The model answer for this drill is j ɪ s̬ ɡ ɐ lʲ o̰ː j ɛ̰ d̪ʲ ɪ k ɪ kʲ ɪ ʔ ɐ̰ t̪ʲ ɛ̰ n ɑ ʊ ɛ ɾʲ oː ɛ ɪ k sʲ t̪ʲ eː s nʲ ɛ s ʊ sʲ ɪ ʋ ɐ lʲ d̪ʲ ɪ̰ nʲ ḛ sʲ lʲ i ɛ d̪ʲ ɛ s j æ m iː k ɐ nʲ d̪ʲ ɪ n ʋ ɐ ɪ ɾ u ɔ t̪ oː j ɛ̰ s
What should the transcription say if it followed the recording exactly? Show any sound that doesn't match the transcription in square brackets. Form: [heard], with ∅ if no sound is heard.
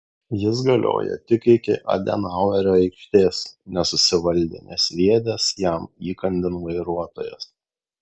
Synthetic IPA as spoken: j ɪ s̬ ɡ ɐ lʲ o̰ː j ɛ̰ [t̪ʲ] ɪ k ɪ kʲ ɪ ʔ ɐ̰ [d̪ʲ] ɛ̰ n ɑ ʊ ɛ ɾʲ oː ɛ ɪ k [ʃʲ] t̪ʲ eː s nʲ ɛ s ʊ sʲ ɪ ʋ ɐ lʲ d̪ʲ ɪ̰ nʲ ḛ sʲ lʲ i ɛ d̪ʲ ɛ s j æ m iː k ɐ nʲ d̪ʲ ɪ n ʋ ɐ ɪ ɾ u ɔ t̪ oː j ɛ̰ s